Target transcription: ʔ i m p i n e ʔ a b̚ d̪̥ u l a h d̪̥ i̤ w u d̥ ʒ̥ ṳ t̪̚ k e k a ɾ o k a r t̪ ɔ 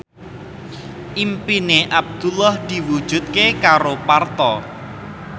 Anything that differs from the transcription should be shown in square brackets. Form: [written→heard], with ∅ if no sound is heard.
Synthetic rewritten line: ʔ i m p i n e ʔ a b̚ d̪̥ u l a h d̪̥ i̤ w u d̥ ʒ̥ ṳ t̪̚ k e k a ɾ o [k→p] a r t̪ ɔ